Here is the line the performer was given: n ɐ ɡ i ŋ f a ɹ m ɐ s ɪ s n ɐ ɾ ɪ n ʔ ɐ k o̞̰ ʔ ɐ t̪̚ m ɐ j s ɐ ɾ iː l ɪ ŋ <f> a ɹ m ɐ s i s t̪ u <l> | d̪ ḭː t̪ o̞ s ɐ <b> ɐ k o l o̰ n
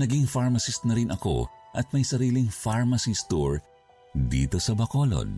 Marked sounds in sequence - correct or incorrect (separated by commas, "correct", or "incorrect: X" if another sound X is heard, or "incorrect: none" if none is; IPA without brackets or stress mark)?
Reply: correct, incorrect: ɹ, correct